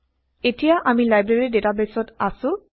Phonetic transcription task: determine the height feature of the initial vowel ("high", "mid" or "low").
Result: mid